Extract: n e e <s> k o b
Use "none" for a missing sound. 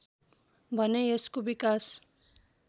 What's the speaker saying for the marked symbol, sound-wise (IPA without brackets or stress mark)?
s